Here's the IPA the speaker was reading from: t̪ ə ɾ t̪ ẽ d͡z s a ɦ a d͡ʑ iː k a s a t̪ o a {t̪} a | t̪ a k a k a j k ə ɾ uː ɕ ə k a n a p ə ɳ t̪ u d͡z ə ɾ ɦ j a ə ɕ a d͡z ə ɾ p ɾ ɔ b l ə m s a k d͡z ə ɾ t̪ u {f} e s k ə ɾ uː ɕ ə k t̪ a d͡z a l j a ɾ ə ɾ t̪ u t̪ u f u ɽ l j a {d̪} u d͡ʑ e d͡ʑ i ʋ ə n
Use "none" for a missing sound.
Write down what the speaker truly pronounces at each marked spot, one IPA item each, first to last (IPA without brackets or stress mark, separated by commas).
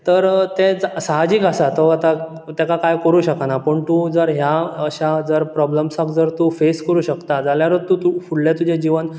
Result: t̪, f, t̪